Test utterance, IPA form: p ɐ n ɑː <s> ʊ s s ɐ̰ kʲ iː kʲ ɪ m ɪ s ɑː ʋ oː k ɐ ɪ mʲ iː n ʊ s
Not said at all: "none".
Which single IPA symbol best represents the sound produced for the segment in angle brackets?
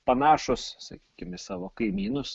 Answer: ʃ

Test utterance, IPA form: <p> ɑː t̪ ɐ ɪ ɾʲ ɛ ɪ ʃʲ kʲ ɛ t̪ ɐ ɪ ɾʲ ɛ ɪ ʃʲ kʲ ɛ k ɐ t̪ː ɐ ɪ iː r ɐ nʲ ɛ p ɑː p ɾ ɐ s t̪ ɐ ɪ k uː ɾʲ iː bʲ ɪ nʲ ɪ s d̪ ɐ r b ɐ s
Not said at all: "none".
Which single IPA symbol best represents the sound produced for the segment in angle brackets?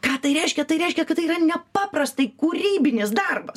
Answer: k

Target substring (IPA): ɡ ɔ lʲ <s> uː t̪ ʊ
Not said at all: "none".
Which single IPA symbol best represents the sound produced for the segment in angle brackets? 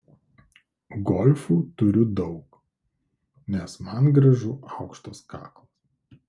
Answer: f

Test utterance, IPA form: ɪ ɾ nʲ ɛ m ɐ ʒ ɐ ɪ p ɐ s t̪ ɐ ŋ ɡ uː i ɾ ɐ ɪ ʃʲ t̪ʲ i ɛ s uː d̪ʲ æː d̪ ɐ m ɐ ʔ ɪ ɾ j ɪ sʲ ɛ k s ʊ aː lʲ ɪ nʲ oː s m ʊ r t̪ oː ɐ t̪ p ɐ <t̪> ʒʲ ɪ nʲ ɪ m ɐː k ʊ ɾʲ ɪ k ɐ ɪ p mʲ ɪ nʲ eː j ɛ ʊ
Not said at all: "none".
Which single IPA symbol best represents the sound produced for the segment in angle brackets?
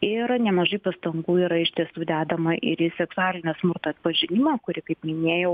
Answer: none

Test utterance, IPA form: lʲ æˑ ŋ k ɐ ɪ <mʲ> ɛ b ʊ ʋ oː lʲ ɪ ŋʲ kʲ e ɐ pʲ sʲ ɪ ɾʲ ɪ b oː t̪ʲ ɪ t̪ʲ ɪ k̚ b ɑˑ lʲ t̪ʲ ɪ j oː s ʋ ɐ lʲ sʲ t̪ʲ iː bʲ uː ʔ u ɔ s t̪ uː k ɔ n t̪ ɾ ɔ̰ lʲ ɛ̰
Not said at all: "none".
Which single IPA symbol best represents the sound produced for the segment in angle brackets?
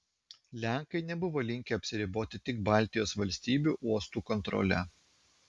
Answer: nʲ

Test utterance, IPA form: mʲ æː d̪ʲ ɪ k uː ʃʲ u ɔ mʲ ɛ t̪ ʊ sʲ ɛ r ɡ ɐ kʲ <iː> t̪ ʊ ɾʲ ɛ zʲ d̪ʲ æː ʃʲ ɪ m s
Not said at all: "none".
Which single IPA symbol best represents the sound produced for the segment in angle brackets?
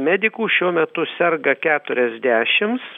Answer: æː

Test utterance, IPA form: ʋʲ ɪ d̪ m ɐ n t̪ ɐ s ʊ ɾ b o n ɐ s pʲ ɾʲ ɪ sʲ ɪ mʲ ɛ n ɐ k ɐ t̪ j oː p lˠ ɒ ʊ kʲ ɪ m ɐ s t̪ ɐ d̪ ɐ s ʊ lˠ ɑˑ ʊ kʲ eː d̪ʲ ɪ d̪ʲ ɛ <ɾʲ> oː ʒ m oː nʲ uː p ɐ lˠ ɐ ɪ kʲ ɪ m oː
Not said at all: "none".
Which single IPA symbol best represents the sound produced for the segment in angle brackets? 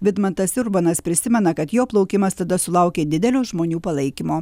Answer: lʲ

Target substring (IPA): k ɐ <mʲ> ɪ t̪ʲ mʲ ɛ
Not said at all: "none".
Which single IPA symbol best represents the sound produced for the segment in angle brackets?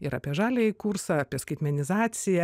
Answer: none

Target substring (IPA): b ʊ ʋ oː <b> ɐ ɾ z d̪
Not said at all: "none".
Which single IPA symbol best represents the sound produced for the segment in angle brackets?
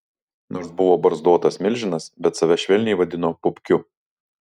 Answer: b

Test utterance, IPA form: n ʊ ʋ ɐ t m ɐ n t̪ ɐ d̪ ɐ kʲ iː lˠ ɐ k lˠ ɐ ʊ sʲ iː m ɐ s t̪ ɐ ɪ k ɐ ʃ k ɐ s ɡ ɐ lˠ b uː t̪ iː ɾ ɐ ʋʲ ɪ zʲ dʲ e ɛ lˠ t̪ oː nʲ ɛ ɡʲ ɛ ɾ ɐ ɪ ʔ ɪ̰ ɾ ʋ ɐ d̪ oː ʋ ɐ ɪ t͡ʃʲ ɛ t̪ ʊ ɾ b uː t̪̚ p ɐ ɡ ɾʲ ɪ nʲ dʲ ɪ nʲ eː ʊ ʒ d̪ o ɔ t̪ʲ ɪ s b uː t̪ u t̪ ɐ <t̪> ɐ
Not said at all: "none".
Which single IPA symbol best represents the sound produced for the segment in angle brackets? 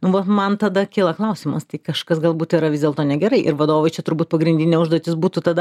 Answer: d̪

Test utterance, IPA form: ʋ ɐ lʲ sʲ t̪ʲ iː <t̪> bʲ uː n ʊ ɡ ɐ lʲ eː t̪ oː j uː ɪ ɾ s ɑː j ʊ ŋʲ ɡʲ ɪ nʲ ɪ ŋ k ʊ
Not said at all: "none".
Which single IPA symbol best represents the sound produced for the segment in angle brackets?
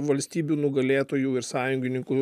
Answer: none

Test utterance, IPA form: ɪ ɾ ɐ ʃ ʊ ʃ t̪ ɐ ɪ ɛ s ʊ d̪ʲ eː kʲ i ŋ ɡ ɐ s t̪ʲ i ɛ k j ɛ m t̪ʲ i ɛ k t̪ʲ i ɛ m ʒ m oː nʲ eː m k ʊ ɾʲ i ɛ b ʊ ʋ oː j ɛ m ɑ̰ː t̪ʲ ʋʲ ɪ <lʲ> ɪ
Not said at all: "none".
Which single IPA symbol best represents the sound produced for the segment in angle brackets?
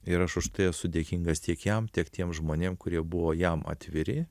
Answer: ɾʲ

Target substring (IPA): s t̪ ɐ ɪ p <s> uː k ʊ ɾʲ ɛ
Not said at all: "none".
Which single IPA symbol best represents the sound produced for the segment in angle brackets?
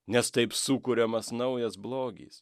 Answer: s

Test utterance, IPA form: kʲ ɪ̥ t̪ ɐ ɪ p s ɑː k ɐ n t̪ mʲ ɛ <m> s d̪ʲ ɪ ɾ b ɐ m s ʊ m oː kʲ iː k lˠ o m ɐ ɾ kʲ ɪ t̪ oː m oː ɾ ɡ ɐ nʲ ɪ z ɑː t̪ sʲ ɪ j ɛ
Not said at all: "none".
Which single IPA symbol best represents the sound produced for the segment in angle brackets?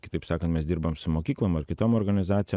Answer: none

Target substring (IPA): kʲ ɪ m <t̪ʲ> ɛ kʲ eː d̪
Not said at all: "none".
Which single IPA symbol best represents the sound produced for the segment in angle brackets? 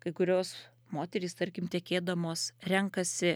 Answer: t̪ʲ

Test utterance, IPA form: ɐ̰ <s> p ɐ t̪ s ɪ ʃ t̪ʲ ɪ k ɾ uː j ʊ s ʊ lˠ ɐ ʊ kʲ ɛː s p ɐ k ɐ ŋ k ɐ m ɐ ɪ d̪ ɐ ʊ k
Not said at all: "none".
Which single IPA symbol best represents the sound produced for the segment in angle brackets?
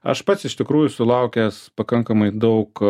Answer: ʃ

